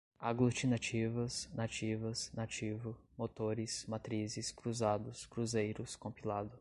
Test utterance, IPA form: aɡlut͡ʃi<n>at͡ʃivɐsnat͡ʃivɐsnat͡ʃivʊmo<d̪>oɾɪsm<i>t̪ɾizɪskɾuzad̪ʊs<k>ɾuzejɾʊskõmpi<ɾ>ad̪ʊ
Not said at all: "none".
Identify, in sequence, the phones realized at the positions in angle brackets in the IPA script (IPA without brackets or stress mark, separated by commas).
n, t̪, a, k, l